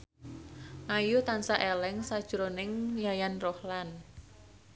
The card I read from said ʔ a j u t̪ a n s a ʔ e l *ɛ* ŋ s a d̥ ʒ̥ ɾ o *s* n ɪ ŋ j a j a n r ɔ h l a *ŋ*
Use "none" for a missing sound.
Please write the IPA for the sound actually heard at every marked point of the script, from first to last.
ɛ, none, n

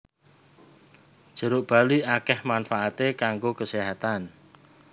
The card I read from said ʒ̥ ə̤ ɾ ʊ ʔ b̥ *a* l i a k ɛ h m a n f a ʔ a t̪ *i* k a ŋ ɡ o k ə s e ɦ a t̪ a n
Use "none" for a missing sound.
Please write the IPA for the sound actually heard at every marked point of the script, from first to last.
a, e

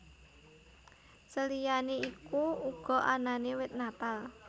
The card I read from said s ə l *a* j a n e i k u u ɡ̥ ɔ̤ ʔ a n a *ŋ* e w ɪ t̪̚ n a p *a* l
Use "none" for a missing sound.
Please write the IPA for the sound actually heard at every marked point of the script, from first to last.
i, n, a

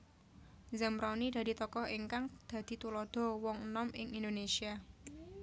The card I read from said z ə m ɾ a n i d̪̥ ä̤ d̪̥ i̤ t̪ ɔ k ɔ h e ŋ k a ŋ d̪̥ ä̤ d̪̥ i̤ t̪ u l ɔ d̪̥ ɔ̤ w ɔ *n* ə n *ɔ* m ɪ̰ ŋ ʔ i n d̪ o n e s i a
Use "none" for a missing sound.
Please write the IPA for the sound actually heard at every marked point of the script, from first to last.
ŋ, ɔ

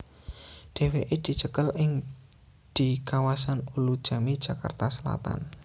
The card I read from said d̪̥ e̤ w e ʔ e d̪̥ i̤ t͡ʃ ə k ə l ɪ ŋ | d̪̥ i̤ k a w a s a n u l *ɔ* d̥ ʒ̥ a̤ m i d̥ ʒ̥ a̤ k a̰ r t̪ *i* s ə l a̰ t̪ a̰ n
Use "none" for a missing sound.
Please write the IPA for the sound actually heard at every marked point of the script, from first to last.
u, a

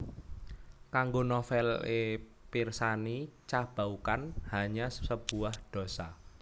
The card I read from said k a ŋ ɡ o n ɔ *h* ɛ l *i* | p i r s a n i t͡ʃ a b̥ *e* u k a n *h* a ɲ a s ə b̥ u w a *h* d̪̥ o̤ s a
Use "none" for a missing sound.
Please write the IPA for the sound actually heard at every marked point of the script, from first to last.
f, e, a, h, h

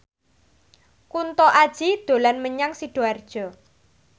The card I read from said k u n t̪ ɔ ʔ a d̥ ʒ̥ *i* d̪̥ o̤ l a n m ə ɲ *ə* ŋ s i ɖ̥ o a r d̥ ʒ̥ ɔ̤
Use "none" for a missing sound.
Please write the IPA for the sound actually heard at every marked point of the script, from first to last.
i, a

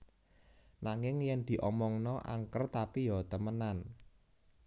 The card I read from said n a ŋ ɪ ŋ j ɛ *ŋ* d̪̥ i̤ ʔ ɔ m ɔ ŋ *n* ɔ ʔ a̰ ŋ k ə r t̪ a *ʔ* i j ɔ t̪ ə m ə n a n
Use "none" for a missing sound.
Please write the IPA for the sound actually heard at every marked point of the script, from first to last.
n, n, p

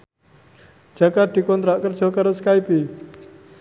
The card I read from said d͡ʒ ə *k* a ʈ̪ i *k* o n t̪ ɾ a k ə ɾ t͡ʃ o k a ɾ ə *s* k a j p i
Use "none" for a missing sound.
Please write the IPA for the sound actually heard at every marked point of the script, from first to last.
k, k, s

